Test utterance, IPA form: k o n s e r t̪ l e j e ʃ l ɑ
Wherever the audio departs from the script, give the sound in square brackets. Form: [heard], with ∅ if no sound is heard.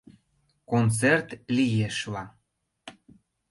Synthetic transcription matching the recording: k o n [t͡s] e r t̪ l [i] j e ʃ l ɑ